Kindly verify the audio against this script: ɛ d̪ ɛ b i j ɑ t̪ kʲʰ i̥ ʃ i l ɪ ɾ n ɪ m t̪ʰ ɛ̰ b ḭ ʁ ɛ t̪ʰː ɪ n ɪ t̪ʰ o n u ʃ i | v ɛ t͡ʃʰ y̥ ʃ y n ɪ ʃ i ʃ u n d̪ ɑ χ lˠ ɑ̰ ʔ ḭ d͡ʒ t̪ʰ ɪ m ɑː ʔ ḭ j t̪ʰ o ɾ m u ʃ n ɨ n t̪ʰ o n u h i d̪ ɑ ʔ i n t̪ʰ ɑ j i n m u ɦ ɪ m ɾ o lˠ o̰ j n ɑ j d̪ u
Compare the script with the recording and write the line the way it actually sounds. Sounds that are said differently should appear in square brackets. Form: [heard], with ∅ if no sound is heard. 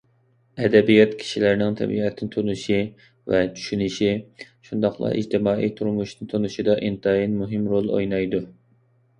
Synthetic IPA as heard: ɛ d̪ ɛ b i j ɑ t̪ kʲʰ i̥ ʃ i l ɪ ɾ n ɪ [ŋ] t̪ʰ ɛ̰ b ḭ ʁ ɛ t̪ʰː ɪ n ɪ t̪ʰ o n u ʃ i | v ɛ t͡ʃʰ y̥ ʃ y n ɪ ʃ i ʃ u n d̪ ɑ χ lˠ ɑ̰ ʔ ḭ d͡ʒ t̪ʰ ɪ m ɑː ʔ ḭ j t̪ʰ [u] ɾ m u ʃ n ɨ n t̪ʰ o n u [ʃ] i d̪ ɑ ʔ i n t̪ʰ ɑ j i n m u ɦ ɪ m ɾ o lˠ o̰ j n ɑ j d̪ u